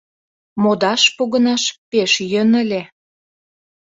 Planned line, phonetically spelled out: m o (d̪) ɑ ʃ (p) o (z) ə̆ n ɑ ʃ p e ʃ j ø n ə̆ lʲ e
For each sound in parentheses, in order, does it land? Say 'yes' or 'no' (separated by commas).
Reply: yes, yes, no